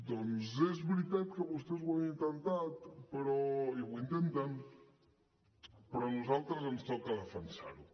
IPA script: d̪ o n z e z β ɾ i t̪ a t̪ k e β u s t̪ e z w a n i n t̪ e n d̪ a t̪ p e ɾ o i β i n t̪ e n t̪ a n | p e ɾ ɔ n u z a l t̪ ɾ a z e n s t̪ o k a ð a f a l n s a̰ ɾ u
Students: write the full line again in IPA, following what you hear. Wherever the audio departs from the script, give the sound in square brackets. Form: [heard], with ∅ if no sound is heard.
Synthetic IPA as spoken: d̪ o n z e z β ɾ i t̪ a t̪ k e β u s t̪ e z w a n i n t̪ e n [t̪] a t̪ p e ɾ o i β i n t̪ e n t̪ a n | p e ɾ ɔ n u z a l t̪ ɾ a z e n s t̪ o k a ð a f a [∅] n s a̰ ɾ u